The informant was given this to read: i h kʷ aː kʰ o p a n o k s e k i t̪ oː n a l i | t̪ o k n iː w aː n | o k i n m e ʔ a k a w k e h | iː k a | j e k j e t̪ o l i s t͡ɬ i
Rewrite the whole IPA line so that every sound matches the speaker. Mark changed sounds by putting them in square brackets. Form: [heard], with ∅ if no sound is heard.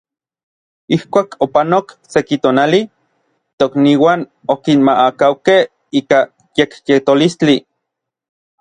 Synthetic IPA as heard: i h kʷ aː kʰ o p a n o k s e k i t̪ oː n a l i | t̪ o k n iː w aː n | o k i n m [a] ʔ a k a w k e h | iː k a | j e k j e t̪ o l i s t͡ɬ i